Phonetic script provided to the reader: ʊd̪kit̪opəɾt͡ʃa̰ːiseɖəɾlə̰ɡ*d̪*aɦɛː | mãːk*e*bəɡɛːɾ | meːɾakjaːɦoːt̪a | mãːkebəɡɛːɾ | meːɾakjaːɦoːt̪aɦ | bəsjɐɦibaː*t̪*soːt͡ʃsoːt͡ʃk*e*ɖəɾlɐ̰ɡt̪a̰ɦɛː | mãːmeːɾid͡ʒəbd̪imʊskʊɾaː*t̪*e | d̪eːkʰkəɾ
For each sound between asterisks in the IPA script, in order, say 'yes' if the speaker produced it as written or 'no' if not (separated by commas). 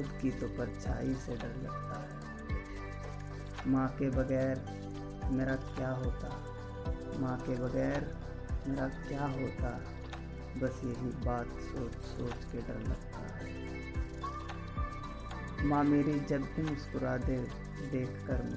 no, yes, yes, yes, no